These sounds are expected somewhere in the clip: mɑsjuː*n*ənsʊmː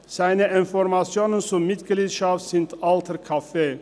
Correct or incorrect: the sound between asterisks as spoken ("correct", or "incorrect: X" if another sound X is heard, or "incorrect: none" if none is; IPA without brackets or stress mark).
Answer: correct